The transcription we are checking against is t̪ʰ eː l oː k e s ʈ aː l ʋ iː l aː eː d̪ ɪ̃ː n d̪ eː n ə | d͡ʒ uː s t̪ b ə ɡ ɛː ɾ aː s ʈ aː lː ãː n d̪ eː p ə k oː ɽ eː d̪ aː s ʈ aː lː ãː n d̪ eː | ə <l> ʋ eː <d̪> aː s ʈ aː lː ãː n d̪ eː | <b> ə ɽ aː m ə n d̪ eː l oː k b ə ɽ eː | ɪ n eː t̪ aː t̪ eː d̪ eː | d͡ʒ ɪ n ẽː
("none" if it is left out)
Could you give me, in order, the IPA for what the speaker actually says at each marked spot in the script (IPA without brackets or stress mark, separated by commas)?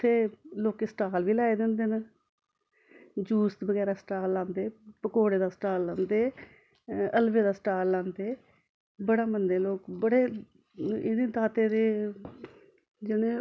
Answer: l, d̪, b